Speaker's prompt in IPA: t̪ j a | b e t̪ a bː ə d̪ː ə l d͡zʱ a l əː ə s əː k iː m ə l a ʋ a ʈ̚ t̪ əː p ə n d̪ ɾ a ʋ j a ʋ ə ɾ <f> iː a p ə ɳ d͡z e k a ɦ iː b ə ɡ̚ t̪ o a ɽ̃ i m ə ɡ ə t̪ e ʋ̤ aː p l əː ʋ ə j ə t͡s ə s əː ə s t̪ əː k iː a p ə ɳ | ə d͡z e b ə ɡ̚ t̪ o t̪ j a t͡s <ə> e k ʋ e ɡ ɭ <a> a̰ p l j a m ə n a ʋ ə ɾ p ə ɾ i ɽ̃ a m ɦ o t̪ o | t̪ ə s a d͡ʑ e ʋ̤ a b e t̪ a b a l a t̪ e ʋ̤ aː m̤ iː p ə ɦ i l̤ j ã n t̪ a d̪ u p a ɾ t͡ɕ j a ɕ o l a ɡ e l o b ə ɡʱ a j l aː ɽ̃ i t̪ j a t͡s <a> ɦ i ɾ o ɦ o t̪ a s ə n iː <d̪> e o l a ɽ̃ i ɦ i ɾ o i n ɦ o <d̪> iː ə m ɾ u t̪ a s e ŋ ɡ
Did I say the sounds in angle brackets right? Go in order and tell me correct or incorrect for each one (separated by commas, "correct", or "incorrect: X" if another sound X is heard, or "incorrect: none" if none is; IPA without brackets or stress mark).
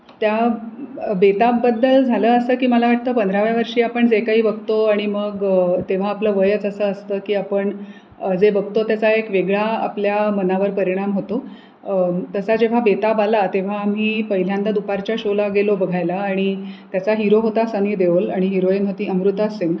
incorrect: ʂ, incorrect: a, correct, correct, correct, incorrect: t̪